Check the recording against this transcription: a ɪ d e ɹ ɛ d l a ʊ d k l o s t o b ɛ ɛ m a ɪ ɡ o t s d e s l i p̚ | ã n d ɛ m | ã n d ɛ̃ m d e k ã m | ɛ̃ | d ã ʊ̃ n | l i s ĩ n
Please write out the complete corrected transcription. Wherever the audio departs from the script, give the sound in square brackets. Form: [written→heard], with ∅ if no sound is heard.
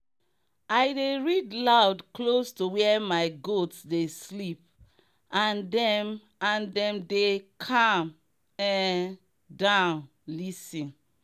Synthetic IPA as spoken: a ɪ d e ɹ [ɛ→i] d l a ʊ d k l o s t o [b→w] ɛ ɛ m a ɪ ɡ o t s d e s l i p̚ | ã n d ɛ m | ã n d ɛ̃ m d e [k→kʰ] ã m | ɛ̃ | d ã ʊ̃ n | l i s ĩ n